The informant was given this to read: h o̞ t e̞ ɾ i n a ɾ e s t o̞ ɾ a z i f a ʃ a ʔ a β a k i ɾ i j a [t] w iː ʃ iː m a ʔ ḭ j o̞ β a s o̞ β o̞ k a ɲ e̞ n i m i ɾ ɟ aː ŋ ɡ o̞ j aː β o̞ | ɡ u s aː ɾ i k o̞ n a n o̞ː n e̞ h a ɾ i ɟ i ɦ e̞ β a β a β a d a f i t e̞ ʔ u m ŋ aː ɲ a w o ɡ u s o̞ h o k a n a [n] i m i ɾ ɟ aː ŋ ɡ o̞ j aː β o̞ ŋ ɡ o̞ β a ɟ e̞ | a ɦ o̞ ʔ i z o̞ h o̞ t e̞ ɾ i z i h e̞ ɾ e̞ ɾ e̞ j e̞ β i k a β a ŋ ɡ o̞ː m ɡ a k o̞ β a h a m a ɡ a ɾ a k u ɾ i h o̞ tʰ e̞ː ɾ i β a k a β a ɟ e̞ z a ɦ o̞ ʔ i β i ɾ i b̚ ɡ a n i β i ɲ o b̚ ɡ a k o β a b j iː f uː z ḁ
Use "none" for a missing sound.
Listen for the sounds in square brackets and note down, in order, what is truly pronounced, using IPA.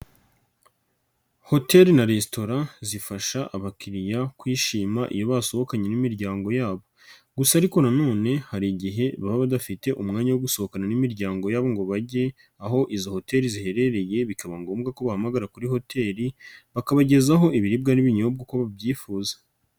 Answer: k, n

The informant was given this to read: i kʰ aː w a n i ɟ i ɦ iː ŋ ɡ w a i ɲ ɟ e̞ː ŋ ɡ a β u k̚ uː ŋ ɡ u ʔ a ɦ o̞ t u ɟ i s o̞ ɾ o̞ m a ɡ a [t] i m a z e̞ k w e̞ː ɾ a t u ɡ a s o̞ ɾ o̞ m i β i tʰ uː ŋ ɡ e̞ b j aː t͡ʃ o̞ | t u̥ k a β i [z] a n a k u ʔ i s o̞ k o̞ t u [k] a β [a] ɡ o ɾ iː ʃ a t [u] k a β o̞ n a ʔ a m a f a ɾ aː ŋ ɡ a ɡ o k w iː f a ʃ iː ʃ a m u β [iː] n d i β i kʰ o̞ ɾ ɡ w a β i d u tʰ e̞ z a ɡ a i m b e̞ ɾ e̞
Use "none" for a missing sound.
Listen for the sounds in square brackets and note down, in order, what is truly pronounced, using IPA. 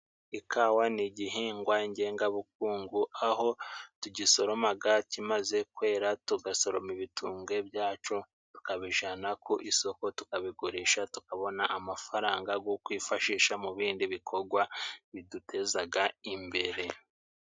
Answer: c, ʒ, k, i, u, iː

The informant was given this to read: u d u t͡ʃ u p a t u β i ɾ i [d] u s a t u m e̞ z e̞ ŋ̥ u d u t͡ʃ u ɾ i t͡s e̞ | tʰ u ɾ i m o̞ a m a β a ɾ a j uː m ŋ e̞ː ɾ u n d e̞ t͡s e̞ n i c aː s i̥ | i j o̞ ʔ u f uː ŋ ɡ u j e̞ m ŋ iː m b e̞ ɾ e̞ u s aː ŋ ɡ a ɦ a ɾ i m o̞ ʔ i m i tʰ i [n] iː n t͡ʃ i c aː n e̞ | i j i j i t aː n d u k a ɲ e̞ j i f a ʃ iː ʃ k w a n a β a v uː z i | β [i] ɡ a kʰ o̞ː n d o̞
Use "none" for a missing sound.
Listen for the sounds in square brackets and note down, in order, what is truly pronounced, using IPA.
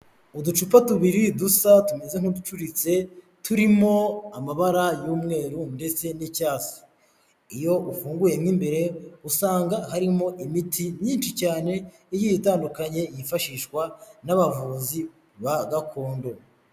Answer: d, ɲ, a

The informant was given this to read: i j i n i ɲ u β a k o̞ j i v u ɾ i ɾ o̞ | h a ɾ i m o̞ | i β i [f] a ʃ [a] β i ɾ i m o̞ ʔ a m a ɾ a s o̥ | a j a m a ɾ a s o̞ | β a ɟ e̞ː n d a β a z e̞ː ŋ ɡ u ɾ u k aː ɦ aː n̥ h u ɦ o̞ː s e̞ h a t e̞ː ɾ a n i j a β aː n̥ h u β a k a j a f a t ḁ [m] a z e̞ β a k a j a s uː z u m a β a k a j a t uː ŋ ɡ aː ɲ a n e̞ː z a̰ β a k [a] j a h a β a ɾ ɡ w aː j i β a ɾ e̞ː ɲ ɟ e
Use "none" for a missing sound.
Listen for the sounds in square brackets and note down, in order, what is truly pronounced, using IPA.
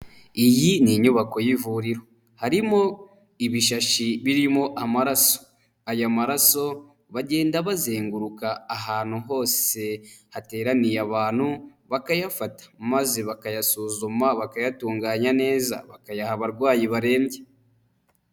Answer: ʃ, i, m, a

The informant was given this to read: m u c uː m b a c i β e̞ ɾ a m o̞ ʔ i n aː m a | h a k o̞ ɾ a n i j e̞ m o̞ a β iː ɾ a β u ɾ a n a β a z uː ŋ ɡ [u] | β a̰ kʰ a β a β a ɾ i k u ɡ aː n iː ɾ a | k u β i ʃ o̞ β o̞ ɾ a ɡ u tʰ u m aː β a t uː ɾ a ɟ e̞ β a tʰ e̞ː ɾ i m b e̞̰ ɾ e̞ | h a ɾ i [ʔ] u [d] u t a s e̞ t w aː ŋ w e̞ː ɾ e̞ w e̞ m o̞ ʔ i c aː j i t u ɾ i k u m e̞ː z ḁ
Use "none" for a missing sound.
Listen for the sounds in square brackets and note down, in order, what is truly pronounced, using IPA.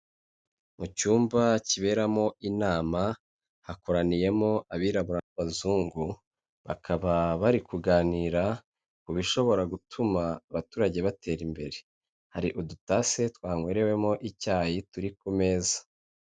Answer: u, ʔ, d

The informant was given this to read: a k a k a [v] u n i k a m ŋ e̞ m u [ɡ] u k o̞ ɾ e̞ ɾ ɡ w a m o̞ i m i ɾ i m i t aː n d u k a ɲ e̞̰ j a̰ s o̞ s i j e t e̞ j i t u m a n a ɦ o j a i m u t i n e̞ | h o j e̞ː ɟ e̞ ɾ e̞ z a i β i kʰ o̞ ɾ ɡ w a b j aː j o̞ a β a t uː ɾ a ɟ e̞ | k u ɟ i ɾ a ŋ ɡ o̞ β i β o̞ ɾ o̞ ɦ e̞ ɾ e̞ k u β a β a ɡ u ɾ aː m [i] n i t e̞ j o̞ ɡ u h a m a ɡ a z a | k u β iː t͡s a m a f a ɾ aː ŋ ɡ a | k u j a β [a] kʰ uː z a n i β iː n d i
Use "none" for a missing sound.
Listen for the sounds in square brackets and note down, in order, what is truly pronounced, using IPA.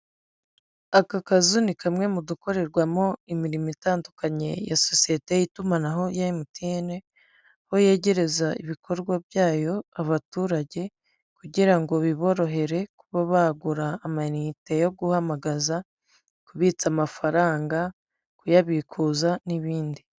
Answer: z, d, a, i

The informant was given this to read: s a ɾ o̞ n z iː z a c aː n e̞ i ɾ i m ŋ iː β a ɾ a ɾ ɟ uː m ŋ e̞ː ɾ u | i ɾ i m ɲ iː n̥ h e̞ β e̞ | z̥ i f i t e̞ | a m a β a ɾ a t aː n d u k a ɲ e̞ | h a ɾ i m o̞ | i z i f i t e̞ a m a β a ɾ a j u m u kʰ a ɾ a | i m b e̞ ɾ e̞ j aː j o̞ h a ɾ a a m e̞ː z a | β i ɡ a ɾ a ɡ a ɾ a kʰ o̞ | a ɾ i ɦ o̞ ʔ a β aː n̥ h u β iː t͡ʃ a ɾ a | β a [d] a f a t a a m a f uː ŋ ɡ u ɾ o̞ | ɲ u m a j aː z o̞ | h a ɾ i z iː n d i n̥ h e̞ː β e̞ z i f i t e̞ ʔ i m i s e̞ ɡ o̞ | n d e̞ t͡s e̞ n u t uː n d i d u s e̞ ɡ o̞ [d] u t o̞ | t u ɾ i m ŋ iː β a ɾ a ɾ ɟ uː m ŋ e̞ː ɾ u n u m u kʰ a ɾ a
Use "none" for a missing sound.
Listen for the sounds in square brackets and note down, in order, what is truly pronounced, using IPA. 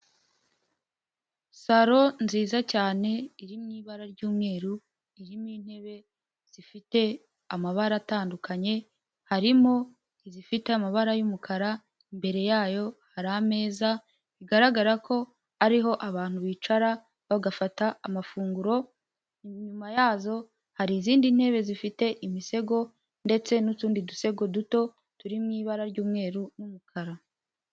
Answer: ɡ, d

